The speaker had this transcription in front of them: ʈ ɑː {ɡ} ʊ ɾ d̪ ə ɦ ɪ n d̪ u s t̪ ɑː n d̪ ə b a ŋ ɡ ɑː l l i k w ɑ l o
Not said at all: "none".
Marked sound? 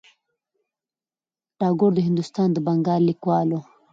ɡ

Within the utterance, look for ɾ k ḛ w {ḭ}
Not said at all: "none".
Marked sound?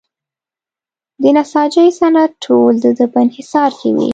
ḭ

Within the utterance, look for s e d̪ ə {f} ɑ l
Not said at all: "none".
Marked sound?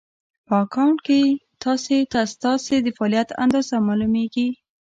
f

